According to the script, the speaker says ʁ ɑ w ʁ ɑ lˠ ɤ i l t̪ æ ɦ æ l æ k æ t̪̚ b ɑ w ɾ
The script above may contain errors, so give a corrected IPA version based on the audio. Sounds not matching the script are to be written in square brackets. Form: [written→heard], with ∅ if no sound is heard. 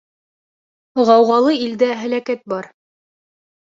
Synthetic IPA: ʁ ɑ w ʁ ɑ lˠ ɤ i l [t̪→d̪] æ ɦ æ l æ k æ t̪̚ b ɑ [w→∅] ɾ